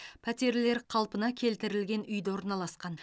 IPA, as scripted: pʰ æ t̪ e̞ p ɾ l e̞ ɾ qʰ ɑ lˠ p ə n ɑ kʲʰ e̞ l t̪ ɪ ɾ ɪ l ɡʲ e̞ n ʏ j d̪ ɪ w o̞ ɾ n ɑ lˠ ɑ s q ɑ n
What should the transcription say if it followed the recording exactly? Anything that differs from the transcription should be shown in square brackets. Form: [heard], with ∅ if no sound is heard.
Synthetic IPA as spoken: pʰ æ t̪ e̞ [∅] ɾ l e̞ ɾ qʰ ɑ lˠ p ə n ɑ kʲʰ e̞ l t̪ ɪ ɾ ɪ l ɡʲ e̞ n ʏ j d̪ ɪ w o̞ ɾ n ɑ lˠ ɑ s q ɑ n

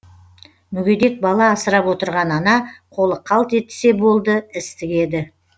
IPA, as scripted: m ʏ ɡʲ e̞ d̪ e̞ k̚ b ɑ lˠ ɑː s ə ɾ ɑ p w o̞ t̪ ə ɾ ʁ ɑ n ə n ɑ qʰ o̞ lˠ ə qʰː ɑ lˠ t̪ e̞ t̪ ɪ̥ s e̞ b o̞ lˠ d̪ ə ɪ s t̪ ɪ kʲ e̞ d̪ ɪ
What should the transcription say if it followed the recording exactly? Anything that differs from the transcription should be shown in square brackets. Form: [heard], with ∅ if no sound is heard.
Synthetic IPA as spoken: m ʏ ɡʲ e̞ d̪ e̞ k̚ b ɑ lˠ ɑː s ə ɾ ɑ p w o̞ t̪ ə ɾ ʁ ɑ n [ɑ] n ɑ qʰ o̞ lˠ ə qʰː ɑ lˠ t̪ e̞ t̪ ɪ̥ s e̞ b o̞ lˠ d̪ ə ɪ s t̪ ɪ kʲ e̞ d̪ ɪ

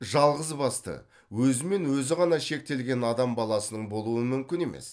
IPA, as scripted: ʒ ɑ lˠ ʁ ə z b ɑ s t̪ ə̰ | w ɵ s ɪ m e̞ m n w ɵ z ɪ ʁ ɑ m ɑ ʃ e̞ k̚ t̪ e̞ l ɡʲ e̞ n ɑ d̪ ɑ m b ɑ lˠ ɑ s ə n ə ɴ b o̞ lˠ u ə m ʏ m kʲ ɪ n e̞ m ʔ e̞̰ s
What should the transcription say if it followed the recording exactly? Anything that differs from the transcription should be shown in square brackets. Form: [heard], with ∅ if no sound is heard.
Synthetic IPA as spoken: ʒ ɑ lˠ ʁ ə z b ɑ s t̪ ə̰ | w ɵ [z] ɪ m e̞ [∅] n w ɵ z ɪ ʁ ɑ [n] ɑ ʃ e̞ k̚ t̪ e̞ l ɡʲ e̞ n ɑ d̪ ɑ m b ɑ lˠ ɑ s ə n ə ɴ b o̞ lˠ u ə m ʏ m kʲ ɪ n e̞ m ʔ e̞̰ s

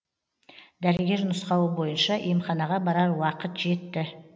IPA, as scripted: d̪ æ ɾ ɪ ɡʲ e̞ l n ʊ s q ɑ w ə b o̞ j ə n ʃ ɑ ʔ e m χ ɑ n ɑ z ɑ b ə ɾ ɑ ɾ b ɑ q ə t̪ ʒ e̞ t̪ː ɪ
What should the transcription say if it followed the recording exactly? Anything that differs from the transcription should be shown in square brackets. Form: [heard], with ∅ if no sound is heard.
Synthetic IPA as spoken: d̪ æ ɾ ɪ ɡʲ e̞ [ɾ] n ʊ s q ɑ w ə b o̞ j ə n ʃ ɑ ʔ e m χ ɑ n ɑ [ʁ] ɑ b [ɑ] ɾ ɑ ɾ [w] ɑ q ə t̪ ʒ e̞ t̪ː ɪ

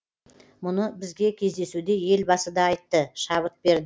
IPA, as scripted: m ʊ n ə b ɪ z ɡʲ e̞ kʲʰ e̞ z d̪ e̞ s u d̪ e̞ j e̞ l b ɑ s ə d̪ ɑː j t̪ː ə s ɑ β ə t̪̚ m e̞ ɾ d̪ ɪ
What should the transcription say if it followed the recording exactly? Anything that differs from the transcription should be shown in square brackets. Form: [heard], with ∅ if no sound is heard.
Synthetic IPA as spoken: m ʊ n ə b ɪ z ɡʲ e̞ kʲʰ e̞ z d̪ e̞ s u d̪ e̞ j e̞ l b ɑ s ə d̪ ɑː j t̪ː ə [ʃ] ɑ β ə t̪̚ [b] e̞ ɾ d̪ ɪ

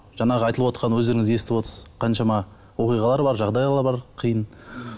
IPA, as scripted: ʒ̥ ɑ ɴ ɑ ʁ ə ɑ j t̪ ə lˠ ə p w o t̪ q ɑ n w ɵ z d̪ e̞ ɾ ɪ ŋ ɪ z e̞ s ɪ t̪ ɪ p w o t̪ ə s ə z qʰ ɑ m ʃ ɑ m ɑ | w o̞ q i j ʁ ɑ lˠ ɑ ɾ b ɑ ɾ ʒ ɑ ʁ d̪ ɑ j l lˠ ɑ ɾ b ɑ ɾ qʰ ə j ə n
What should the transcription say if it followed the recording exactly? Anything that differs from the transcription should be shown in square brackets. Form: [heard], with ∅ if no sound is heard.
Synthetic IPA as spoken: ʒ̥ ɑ ɴ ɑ ʁ ə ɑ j t̪ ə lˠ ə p w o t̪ q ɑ n w ɵ z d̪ e̞ ɾ ɪ ŋ ɪ z e̞ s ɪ t̪ ɪ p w o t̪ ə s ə z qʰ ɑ [n] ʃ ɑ m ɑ | w o̞ q i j ʁ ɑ lˠ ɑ ɾ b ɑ ɾ ʒ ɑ ʁ d̪ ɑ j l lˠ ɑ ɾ b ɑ ɾ qʰ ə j ə n

